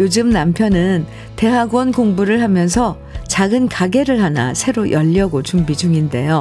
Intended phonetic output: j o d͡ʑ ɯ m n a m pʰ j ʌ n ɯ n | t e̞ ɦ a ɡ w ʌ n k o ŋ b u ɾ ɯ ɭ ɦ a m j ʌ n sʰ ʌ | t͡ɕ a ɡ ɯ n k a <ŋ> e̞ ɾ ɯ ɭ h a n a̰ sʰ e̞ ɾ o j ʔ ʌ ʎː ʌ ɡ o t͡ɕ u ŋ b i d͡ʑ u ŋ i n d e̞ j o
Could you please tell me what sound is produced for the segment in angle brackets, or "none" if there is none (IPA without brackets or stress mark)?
ɡ